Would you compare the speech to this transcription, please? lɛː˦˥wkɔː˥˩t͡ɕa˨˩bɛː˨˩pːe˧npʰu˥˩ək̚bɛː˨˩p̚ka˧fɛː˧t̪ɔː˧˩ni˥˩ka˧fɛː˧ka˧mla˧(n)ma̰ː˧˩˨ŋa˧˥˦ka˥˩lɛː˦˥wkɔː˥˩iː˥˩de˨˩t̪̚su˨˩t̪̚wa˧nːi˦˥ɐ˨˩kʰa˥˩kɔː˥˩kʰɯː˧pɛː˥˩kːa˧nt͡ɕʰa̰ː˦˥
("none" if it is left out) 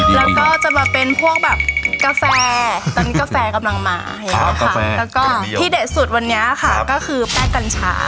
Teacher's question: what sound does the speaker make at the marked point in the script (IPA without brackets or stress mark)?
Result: ŋ